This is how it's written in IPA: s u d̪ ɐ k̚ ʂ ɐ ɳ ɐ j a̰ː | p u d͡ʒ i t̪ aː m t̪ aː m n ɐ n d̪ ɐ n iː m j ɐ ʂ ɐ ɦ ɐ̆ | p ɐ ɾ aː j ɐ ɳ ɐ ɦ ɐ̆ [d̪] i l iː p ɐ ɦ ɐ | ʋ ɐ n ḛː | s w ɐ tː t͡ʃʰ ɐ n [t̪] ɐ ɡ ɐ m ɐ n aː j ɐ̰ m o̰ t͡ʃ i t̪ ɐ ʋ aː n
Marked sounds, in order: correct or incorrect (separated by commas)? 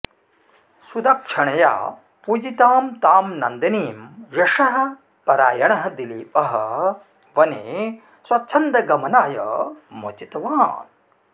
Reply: correct, incorrect